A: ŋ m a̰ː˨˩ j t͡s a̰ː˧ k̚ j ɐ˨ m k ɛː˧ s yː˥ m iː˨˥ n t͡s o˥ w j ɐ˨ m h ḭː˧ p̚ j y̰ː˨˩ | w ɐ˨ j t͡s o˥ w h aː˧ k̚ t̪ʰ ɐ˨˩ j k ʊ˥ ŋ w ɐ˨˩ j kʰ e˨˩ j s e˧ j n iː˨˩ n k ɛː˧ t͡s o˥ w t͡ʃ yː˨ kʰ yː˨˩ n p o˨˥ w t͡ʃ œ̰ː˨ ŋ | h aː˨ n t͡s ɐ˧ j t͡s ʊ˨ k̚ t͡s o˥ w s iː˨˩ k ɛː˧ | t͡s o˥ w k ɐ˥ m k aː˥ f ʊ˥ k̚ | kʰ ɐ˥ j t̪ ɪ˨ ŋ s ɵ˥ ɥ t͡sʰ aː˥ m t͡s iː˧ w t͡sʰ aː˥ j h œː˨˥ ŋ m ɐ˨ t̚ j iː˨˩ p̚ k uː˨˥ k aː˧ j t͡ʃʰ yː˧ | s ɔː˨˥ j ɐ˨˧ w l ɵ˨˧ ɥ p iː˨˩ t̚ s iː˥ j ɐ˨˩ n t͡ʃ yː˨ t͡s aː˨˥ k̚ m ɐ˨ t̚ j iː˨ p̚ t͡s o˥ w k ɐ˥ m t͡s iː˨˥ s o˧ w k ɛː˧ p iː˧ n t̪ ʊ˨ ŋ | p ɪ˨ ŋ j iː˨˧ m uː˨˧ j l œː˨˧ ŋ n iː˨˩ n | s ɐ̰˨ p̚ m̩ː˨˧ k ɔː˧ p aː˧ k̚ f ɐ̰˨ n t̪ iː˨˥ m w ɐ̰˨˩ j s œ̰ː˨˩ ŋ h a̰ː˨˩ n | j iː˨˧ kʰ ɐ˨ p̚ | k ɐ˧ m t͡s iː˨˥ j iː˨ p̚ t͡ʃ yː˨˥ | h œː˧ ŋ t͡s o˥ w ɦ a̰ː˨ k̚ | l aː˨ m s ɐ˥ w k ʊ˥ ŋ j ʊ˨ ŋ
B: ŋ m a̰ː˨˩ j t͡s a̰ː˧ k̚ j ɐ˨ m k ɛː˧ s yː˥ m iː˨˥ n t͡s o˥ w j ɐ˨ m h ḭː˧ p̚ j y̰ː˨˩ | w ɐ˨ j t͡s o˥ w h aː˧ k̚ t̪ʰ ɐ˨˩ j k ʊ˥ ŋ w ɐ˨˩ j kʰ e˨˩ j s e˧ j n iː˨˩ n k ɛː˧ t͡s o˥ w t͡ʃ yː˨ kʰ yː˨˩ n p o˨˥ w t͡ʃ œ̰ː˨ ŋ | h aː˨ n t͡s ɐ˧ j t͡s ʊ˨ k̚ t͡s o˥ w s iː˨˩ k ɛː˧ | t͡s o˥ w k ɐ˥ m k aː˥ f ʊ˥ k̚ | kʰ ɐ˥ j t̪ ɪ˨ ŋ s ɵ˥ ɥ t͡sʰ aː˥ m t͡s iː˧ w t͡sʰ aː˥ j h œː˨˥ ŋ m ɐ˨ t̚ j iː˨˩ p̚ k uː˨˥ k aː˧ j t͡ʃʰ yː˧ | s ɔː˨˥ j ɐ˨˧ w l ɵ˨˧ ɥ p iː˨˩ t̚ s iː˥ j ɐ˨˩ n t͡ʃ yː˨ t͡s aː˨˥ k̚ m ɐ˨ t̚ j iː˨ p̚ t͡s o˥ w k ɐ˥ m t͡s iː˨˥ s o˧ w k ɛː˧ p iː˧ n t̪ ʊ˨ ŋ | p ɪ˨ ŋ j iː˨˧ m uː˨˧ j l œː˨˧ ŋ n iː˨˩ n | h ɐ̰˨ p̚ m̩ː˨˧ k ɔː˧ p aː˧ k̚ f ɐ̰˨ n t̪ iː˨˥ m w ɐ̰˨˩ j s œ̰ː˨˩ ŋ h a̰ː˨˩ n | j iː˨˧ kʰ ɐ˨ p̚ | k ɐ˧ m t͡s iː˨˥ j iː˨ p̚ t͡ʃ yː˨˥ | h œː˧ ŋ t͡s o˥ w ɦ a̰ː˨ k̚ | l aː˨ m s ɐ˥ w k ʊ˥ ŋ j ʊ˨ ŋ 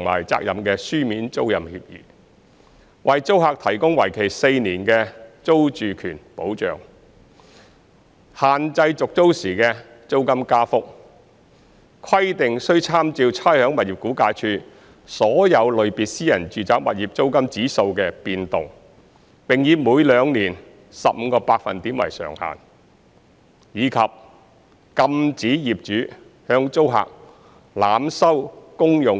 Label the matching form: A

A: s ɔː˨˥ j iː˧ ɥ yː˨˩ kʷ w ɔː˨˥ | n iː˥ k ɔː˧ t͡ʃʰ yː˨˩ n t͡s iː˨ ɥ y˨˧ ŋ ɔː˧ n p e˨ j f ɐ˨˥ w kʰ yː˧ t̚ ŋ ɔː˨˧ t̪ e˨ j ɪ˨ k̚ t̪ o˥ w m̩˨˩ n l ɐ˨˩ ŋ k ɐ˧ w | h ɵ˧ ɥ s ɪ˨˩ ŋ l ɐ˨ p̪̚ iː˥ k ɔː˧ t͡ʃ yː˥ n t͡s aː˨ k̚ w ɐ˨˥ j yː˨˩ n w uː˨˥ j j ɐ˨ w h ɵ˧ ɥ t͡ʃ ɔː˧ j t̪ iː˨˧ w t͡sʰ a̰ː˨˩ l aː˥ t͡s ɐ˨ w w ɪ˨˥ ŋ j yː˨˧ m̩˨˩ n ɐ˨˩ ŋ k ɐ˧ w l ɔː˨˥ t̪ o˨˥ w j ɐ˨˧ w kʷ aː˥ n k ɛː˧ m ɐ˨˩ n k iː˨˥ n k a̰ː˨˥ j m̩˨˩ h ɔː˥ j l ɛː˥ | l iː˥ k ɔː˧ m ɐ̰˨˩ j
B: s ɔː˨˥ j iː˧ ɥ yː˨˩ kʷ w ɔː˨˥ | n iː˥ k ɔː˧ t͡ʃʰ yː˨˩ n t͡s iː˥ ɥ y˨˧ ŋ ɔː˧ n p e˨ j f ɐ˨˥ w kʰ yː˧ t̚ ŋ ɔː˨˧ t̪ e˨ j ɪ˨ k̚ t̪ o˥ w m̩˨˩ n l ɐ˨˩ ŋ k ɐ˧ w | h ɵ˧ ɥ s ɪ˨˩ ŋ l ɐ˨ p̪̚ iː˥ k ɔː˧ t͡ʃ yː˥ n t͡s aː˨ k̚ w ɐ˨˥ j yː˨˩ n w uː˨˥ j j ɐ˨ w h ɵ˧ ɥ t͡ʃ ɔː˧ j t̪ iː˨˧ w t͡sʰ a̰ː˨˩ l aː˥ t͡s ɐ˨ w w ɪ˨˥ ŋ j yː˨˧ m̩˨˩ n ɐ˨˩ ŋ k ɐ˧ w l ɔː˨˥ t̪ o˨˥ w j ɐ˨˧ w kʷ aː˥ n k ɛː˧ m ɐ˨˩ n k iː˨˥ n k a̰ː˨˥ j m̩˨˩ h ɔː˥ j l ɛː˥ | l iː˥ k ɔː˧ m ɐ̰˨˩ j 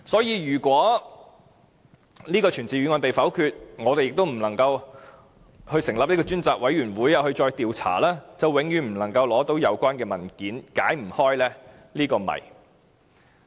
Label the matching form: A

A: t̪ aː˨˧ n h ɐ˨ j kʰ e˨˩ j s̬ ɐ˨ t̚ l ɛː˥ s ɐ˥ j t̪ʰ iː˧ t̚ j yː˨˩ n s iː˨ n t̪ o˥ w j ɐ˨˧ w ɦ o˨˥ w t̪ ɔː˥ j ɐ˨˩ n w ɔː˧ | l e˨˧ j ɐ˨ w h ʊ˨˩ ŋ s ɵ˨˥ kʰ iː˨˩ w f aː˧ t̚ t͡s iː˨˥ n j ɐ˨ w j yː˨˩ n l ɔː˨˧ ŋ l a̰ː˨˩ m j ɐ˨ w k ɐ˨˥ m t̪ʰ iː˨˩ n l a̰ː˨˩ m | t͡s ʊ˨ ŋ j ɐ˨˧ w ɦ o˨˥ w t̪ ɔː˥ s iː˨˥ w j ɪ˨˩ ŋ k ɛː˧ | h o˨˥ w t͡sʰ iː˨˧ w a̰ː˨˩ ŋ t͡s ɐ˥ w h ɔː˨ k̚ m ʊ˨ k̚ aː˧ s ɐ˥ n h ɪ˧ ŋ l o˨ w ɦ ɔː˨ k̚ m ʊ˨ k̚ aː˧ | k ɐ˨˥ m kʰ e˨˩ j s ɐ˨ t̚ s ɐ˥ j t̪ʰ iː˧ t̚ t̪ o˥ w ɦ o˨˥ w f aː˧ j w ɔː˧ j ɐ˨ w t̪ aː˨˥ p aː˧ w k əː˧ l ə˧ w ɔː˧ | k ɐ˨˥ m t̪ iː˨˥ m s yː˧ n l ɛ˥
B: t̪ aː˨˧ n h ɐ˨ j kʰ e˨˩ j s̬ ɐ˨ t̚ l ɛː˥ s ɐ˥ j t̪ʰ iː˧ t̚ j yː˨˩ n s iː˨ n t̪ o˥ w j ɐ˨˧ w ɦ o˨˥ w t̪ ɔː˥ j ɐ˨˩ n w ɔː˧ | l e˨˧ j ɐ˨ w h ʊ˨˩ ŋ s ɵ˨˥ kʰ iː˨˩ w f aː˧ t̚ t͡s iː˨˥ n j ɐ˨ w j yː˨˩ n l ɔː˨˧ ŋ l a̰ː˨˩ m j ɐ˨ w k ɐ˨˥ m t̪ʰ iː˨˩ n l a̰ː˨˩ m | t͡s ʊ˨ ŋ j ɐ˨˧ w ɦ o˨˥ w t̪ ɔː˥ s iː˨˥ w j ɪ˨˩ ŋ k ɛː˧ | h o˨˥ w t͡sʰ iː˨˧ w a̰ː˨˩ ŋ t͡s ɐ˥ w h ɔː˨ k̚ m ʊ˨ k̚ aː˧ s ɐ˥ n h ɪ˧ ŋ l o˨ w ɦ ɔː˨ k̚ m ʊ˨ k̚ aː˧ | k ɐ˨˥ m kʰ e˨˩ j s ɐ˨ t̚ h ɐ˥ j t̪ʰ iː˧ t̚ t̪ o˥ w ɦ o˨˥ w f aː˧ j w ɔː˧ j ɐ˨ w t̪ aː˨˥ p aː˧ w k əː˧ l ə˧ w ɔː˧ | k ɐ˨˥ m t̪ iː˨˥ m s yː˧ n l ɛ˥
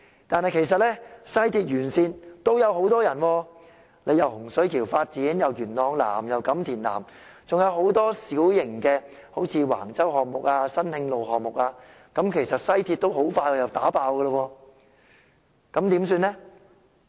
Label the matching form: A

